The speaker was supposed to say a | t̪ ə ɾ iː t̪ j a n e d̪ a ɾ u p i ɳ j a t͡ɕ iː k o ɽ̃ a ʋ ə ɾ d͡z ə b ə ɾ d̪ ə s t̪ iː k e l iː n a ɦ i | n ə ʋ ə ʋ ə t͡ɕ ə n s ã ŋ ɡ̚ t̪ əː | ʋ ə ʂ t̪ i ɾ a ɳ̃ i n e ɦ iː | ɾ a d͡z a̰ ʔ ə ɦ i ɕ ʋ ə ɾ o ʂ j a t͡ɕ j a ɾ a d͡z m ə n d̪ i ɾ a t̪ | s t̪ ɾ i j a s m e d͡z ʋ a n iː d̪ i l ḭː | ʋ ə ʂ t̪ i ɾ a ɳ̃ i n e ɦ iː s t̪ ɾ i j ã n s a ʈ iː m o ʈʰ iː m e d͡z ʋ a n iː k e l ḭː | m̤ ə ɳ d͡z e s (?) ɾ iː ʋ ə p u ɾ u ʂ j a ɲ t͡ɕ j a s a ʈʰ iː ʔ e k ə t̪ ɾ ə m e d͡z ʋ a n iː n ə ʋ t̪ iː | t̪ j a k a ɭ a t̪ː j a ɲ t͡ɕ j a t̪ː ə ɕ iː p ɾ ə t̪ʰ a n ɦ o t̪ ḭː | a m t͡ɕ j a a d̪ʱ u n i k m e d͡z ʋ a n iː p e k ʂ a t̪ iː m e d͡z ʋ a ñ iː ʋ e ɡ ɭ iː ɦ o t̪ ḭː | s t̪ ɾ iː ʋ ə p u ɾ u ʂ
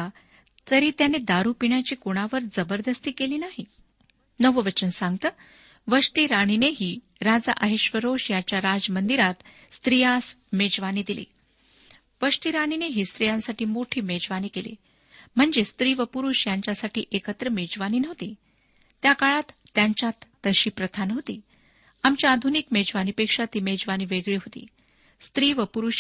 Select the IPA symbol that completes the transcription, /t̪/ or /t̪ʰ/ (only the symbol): t̪